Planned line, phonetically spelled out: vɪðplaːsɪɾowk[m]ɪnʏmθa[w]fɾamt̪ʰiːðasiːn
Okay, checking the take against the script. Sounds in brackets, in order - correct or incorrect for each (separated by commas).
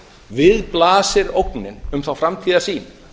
incorrect, correct